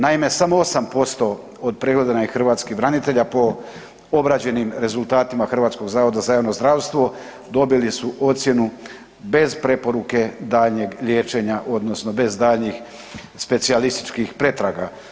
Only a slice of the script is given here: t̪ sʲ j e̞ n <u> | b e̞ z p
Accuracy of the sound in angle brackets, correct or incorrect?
correct